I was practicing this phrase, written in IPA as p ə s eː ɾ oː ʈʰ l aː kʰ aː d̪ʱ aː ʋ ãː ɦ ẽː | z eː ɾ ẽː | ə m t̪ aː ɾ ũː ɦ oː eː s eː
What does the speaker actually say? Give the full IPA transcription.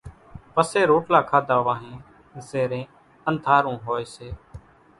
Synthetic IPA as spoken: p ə s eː ɾ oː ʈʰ l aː kʰ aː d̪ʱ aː ʋ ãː ɦ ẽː | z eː ɾ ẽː | ə n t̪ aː ɾ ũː ɦ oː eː s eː